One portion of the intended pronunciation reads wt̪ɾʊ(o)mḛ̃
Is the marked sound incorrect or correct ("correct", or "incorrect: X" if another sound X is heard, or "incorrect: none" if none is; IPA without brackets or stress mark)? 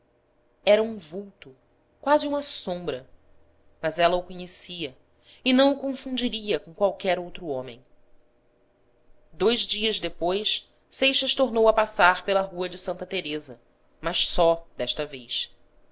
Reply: incorrect: õ